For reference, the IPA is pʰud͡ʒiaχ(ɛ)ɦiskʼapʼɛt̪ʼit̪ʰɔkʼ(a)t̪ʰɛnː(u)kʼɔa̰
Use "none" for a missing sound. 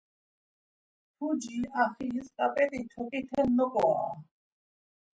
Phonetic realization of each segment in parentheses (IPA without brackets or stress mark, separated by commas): i, i, ɔ